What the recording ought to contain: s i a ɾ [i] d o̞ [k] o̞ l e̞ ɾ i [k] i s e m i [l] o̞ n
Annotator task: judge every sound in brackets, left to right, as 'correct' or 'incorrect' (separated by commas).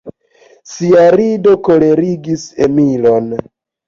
correct, correct, incorrect, correct